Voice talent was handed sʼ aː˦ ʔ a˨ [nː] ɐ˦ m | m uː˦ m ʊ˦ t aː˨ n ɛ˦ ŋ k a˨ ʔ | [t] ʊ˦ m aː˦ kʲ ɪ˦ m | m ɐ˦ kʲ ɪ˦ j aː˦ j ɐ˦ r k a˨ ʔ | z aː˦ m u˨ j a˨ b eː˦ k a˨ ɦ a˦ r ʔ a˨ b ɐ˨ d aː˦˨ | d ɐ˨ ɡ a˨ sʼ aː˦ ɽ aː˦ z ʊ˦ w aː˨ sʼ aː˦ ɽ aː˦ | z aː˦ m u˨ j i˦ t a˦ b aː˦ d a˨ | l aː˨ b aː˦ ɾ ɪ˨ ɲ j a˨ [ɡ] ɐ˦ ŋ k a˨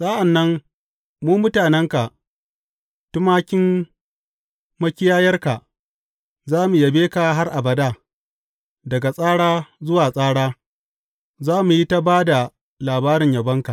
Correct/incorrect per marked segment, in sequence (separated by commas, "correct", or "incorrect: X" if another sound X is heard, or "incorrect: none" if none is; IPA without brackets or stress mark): correct, correct, incorrect: b